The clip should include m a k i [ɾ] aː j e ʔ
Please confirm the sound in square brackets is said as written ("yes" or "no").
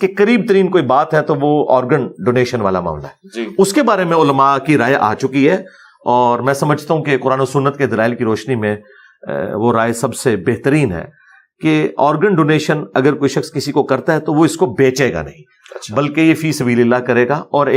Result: yes